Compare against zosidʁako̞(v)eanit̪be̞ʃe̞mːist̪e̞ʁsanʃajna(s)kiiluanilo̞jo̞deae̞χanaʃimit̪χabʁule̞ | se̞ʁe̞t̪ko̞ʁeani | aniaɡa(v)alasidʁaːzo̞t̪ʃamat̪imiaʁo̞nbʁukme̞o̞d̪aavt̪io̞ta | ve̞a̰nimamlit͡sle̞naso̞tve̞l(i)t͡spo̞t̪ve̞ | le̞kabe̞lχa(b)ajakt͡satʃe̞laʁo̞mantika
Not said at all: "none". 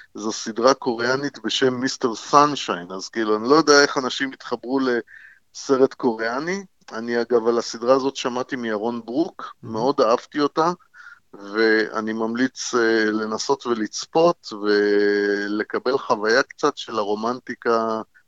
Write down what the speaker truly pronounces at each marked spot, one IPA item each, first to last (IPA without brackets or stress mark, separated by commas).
ʁ, z, v, i, v